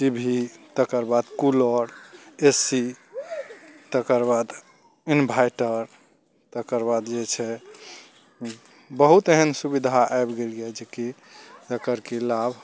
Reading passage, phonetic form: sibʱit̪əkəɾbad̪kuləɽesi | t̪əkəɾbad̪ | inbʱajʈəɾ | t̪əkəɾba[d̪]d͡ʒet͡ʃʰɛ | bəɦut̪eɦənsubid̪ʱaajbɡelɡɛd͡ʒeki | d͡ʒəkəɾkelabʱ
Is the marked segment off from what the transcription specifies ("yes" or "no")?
no